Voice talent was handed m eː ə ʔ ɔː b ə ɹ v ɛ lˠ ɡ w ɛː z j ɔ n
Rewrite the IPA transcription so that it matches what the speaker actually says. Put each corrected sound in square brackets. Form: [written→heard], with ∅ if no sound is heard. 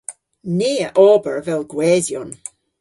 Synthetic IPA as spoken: [m→n] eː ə ʔ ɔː b ə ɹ v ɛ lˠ ɡ w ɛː z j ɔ n